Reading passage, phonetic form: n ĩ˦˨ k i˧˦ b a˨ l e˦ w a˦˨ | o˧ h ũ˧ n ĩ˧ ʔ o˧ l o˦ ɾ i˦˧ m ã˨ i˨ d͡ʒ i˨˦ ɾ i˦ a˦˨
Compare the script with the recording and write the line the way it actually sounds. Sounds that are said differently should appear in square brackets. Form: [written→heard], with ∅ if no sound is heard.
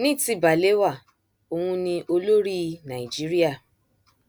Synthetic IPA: n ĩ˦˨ [k→t] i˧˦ b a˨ l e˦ w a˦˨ | o˧ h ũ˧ n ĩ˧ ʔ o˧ l o˦ ɾ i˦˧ [m→n] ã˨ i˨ d͡ʒ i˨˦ ɾ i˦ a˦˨